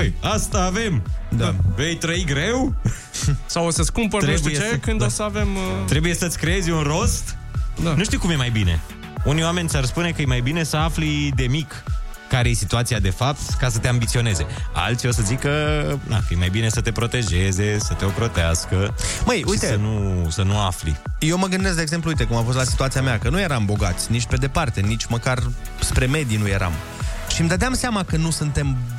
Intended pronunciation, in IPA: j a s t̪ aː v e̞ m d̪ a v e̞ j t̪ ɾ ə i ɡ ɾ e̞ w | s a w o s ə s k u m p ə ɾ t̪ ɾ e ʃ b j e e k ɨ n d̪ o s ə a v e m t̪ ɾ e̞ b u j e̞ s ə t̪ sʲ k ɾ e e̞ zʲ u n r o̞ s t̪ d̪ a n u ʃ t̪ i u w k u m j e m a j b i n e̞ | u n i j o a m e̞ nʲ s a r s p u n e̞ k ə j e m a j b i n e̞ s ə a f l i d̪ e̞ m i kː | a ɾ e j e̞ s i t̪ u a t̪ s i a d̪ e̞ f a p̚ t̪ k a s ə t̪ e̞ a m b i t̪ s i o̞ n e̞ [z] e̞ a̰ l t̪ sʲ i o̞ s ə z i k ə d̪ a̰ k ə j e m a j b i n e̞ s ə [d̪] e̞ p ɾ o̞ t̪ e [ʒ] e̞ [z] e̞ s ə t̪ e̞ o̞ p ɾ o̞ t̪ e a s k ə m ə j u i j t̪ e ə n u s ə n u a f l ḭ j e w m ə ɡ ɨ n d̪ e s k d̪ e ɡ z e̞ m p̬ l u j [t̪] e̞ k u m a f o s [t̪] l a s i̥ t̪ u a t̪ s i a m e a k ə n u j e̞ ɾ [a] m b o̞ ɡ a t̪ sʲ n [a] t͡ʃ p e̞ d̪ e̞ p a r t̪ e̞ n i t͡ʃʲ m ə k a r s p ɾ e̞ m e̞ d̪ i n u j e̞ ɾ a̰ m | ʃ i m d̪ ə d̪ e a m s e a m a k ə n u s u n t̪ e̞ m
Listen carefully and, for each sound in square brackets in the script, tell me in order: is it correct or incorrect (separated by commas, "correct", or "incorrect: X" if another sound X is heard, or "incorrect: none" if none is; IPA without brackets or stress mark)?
correct, incorrect: t̪, correct, correct, correct, correct, correct, incorrect: i